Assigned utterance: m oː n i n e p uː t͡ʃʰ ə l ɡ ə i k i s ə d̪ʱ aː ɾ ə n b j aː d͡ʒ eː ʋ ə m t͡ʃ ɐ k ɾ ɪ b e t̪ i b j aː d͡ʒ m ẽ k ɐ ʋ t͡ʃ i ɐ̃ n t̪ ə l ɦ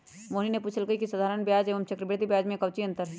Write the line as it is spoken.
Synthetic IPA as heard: m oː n i n e p uː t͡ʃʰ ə l ɡ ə i k i s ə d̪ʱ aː ɾ ə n b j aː d͡ʒ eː ʋ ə m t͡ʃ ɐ k ɾ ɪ b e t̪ i b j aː d͡ʒ m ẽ k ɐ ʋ t͡ʃ i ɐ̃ n t̪ ə ɾ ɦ

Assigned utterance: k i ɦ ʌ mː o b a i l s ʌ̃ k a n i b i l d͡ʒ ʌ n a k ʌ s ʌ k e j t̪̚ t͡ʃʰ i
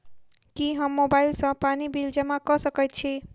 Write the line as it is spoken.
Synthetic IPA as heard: k i ɦ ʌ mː o b a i l s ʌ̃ p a n i b i l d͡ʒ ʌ m a k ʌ s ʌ k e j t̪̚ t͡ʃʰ i

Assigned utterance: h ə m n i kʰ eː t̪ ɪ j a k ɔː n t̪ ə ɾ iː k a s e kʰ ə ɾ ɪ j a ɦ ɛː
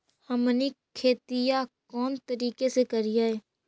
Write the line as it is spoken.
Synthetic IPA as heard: h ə m n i kʰ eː t̪ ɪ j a k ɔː n t̪ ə ɾ iː k e s e k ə ɾ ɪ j a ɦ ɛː

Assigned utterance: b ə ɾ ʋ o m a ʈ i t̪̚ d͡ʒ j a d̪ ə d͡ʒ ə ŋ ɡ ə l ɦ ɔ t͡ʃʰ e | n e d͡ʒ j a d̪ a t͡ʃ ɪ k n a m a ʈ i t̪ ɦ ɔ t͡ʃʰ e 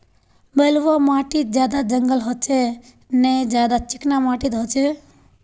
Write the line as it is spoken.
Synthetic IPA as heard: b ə l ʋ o m a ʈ i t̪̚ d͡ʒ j a d̪ a d͡ʒ ə ŋ ɡ ə l ɦ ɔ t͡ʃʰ e | n e d͡ʒ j a d̪ a t͡ʃ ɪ k n a m a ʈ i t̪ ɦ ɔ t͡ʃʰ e

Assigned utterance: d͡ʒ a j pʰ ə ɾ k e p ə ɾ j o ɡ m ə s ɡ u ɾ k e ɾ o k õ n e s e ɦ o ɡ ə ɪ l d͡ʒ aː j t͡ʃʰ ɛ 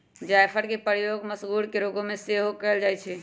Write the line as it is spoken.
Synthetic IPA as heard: d͡ʒ a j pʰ ə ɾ k e p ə ɾ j o ɡ m ə s ɡ u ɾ k e ɾ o ɡ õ m e s e ɦ o k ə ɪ l d͡ʒ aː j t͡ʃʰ ɛ

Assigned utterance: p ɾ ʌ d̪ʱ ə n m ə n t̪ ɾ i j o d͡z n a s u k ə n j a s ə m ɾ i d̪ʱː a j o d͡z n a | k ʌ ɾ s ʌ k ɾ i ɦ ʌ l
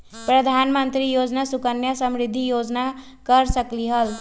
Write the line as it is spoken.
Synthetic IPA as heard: p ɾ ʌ d̪ʱ a n m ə n t̪ ɾ i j o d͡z n a s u k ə n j a s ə m ɾ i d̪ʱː i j o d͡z n a | k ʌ ɾ s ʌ k l i ɦ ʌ l

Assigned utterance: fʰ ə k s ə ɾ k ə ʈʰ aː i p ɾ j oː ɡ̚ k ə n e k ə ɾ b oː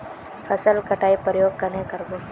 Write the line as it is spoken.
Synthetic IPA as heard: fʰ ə s ə l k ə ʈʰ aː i p ɾ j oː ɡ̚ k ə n e k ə ɾ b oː

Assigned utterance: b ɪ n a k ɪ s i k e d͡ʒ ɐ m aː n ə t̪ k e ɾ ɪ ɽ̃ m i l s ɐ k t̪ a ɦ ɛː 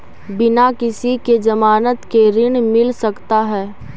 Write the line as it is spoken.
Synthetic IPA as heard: b ɪ n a k ɪ s i k e d͡ʒ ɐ m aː n ə t̪ k e ɾ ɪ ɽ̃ m ɪ l s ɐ k t̪ a ɦ ɛː

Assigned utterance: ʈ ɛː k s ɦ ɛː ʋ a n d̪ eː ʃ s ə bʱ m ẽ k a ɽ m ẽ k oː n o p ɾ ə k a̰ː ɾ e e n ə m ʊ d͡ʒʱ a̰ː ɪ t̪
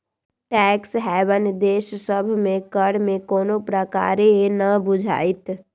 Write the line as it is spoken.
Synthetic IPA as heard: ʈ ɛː k s ɦ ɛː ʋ ə n d̪ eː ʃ s ə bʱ m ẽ k ə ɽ m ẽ k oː n o p ɾ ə k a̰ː ɾ e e n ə b ʊ d͡ʒʱ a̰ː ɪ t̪

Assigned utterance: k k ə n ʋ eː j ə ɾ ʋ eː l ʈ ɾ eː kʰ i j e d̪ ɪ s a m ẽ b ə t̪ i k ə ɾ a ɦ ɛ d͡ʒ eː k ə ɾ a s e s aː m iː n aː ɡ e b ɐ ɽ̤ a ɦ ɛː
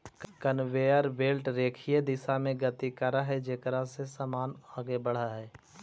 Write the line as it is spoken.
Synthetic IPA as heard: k k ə n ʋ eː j ə ɾ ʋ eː l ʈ ɾ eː kʰ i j e d̪ ɪ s a m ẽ ɡ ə t̪ i k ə ɾ a ɦ ɛ d͡ʒ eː k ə ɾ a s e s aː m aː n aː ɡ e b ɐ ɽ̤ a ɦ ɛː

